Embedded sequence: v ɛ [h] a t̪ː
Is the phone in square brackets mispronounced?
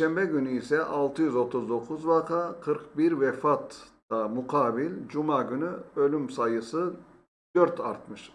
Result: yes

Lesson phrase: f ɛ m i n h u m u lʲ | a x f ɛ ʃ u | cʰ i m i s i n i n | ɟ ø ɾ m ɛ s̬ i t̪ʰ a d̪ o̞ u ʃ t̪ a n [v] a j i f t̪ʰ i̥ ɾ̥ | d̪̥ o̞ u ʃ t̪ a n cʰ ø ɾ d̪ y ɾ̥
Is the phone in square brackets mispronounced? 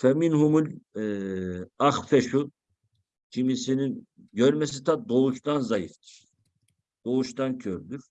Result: yes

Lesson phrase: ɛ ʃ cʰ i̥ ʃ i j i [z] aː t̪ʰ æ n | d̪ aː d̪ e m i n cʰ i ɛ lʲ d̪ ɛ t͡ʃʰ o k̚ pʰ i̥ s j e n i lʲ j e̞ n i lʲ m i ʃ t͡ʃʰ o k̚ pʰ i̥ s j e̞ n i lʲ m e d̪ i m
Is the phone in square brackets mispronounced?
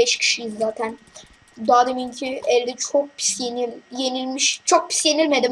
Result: yes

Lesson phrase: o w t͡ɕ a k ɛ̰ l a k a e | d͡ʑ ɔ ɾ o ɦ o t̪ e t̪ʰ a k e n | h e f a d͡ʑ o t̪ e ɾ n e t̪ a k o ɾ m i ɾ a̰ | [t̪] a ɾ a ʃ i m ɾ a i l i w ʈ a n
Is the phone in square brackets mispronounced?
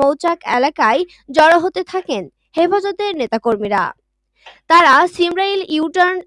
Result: no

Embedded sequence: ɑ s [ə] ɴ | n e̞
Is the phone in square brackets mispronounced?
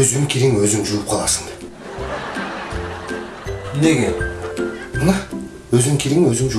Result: no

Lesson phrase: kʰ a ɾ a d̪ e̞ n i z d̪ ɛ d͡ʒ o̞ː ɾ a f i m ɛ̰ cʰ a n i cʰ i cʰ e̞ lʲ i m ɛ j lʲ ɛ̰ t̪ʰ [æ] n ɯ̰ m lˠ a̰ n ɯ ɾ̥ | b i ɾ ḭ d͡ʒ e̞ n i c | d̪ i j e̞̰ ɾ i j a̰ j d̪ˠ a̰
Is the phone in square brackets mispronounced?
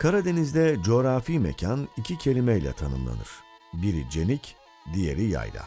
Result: yes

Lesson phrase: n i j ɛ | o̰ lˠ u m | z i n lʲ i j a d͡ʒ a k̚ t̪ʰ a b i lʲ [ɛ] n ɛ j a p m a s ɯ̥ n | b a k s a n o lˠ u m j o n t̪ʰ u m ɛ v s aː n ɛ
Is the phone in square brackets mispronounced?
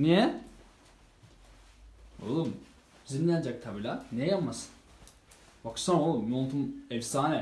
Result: yes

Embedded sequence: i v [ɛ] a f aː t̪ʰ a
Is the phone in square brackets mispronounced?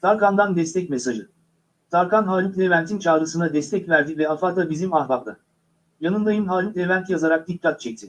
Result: no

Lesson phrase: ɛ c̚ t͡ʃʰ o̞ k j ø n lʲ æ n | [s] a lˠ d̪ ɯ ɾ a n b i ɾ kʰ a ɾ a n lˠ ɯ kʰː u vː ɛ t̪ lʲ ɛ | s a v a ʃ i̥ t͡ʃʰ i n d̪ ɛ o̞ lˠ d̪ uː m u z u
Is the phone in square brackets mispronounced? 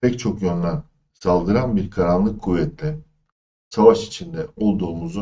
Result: no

